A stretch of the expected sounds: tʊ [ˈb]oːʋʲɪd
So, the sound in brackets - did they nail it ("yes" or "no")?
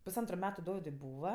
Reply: no